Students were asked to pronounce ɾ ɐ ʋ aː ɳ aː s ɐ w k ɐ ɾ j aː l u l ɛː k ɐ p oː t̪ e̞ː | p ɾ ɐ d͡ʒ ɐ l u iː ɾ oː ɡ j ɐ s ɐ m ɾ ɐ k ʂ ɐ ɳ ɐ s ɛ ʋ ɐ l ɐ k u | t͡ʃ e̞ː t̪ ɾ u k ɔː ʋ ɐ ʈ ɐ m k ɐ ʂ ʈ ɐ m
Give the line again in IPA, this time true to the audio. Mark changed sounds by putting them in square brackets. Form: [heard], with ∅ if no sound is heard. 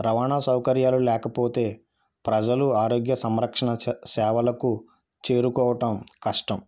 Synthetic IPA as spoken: ɾ ɐ ʋ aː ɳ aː s ɐ w k ɐ ɾ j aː l u l ɛː k ɐ p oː t̪ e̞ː | p ɾ ɐ d͡ʒ ɐ l u [aː] ɾ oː ɡ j ɐ s ɐ m ɾ ɐ k ʂ ɐ ɳ ɐ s [ɛː] ʋ ɐ l ɐ k u | t͡ʃ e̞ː [∅] ɾ u k ɔː ʋ ɐ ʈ ɐ m k ɐ ʂ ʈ ɐ m

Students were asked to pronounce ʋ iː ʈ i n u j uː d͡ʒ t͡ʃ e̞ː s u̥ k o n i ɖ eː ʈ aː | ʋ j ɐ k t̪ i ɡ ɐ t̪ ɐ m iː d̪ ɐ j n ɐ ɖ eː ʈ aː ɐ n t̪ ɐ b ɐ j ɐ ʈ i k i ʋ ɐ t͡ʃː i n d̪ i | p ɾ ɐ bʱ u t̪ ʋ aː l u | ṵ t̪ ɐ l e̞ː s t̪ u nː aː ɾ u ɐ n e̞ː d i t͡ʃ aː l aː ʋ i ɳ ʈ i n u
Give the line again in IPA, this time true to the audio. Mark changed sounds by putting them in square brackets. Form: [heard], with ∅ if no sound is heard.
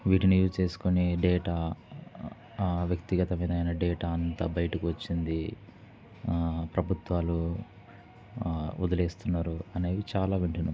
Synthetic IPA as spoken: ʋ iː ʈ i n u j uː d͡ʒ t͡ʃ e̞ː s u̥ k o n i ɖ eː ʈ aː | ʋ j ɐ k t̪ i ɡ ɐ t̪ ɐ m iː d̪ ɐ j n ɐ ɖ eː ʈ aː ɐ n t̪ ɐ b ɐ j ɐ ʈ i k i ʋ ɐ t͡ʃː i n d̪ i | p ɾ ɐ bʱ u t̪ ʋ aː l u | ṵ [d̪] ɐ l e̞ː s t̪ u nː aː ɾ u ɐ n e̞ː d i t͡ʃ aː l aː ʋ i ɳ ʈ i n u

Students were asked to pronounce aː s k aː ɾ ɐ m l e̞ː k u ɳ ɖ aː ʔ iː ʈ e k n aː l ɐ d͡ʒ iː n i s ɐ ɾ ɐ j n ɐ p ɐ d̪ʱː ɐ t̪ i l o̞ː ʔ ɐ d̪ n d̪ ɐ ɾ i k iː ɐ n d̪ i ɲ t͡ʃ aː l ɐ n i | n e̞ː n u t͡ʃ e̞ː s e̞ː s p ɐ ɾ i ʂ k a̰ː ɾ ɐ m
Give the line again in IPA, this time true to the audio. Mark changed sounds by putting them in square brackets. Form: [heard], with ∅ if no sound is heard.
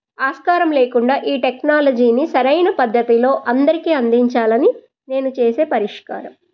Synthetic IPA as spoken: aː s k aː ɾ ɐ m l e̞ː k u ɳ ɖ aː ʔ iː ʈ e k n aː l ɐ d͡ʒ iː n i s ɐ ɾ ɐ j n ɐ p ɐ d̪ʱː ɐ t̪ i l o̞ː ʔ ɐ [∅] n d̪ ɐ ɾ i k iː ɐ n d̪ i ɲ t͡ʃ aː l ɐ n i | n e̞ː n u t͡ʃ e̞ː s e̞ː [∅] p ɐ ɾ i ʂ k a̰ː ɾ ɐ m

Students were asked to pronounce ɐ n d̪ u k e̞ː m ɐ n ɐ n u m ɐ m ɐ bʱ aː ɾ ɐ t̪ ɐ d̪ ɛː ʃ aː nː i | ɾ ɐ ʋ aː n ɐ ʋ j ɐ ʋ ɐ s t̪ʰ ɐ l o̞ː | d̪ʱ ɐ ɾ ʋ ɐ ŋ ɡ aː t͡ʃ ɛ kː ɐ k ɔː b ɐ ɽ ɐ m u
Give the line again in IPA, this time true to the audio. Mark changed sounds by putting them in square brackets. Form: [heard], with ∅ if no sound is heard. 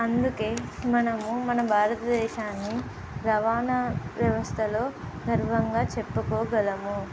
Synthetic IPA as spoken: ɐ n d̪ u k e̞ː m ɐ n ɐ [m] u m ɐ [n] ɐ bʱ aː ɾ ɐ t̪ ɐ d̪ ɛː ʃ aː nː i | ɾ ɐ ʋ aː n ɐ ʋ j ɐ ʋ ɐ s t̪ʰ ɐ l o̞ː | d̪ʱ ɐ ɾ ʋ ɐ ŋ ɡ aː t͡ʃ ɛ [pː] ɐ k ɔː [ɡ] ɐ [l] ɐ m u

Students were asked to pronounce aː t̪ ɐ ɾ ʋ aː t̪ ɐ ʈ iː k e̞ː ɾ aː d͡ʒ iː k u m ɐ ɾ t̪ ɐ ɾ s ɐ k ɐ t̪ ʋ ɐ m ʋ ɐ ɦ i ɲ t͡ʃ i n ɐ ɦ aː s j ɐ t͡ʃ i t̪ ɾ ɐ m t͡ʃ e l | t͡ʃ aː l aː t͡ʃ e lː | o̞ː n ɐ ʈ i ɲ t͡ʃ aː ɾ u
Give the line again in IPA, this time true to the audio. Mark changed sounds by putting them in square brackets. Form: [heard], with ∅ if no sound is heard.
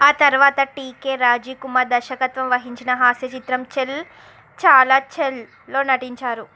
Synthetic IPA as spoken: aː t̪ ɐ ɾ ʋ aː t̪ ɐ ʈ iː k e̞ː ɾ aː d͡ʒ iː k u m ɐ ɾ [d̪] ɐ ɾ [ʃ] ɐ k ɐ t̪ ʋ ɐ m ʋ ɐ ɦ i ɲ t͡ʃ i n ɐ ɦ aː s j ɐ t͡ʃ i t̪ ɾ ɐ m t͡ʃ e l | t͡ʃ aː l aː t͡ʃ e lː | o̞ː n ɐ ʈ i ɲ t͡ʃ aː ɾ u

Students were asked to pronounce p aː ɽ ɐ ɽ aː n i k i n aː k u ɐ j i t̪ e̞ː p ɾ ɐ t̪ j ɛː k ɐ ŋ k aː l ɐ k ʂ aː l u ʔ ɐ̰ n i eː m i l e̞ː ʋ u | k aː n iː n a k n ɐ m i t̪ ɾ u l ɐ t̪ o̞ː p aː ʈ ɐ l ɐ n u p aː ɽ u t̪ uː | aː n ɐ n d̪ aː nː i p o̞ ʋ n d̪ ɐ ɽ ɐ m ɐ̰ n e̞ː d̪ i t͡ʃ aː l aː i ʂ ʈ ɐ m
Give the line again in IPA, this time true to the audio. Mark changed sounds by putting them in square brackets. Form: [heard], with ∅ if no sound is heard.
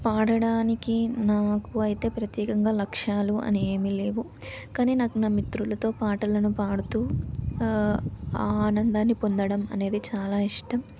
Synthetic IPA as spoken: p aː ɽ ɐ ɽ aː n i k i n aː k u ɐ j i t̪ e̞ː p ɾ ɐ t̪ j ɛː k ɐ ŋ [ɡ] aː l ɐ k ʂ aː l u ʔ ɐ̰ n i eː m i l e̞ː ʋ u | k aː n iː n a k n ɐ m i t̪ ɾ u l ɐ t̪ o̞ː p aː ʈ ɐ l ɐ n u p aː ɽ u t̪ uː | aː n ɐ n d̪ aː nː i p o̞ [∅] n d̪ ɐ ɽ ɐ m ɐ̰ n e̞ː d̪ i t͡ʃ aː l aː i ʂ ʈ ɐ m

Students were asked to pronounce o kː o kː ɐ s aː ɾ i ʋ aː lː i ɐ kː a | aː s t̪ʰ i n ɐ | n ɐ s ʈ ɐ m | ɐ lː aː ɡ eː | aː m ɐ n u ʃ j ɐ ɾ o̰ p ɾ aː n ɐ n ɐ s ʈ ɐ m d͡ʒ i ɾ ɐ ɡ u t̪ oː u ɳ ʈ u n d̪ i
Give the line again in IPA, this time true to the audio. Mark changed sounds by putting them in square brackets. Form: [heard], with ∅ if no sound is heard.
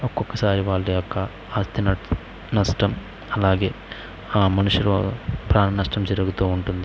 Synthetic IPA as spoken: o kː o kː ɐ s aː ɾ i ʋ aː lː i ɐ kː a | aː s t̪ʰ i n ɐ | n ɐ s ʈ ɐ m | ɐ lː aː ɡ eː | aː m ɐ n u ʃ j ɐ ɾ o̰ p ɾ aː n ɐ n ɐ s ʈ ɐ m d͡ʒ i ɾ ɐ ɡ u t̪ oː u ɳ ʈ u n d̪ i

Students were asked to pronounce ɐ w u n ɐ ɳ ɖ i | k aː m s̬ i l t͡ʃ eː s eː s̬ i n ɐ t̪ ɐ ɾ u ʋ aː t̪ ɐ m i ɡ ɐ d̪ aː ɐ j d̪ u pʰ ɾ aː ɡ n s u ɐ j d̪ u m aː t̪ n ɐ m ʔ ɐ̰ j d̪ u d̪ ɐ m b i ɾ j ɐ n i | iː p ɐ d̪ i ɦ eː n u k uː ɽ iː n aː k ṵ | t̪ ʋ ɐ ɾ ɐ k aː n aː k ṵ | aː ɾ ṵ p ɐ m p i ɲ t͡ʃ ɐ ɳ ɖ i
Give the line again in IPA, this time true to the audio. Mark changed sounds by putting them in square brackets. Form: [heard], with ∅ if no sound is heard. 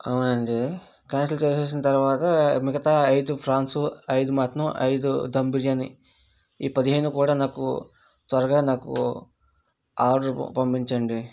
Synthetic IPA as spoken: ɐ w u n ɐ ɳ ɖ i | k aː [n] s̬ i l t͡ʃ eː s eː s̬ i n ɐ t̪ ɐ ɾ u ʋ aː t̪ ɐ m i ɡ ɐ [t̪] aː ɐ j d̪ u pʰ ɾ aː [∅] n s u ɐ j d̪ u m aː t̪ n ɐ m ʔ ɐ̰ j d̪ u d̪ ɐ m b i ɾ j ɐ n i | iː p ɐ d̪ i ɦ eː n u k uː ɽ [aː] n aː k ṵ | t̪ ʋ ɐ ɾ ɐ [ɡ] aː n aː k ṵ | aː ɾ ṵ p ɐ m p i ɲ t͡ʃ ɐ ɳ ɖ i

